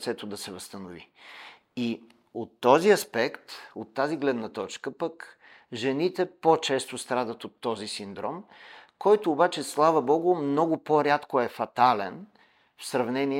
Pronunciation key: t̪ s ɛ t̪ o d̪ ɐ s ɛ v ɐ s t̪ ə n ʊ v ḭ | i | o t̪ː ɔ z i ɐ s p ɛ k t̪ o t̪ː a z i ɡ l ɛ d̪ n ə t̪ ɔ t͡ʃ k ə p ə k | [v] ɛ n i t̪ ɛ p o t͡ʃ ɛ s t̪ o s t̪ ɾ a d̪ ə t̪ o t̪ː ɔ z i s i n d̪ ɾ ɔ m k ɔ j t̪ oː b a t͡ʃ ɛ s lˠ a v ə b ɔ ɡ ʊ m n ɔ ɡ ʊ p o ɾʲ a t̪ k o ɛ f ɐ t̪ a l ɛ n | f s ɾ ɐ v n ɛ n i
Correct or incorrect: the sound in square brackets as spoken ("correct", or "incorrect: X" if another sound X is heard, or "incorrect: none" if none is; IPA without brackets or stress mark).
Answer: incorrect: ʒ